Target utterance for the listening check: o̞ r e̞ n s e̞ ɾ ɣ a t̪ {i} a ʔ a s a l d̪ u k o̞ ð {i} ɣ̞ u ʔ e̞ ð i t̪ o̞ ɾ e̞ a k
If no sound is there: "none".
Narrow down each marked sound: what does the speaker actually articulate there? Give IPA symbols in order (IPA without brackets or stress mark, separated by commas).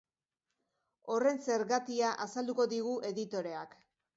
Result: i, i